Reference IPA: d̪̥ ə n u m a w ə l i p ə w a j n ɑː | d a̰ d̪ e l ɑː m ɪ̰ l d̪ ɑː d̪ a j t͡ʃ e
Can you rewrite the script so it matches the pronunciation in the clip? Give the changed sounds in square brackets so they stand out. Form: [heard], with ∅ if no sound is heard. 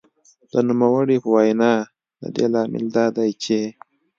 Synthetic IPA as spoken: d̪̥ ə n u m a w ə [ɽ] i p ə w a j n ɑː | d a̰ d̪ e l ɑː m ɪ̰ l d̪ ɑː d̪ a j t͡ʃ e